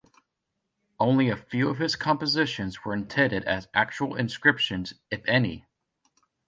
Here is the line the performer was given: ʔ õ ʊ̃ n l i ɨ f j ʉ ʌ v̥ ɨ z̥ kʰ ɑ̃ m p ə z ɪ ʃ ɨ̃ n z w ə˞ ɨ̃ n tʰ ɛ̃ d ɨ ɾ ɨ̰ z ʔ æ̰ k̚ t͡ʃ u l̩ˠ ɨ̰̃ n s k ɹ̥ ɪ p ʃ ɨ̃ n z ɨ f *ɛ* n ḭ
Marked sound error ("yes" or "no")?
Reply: no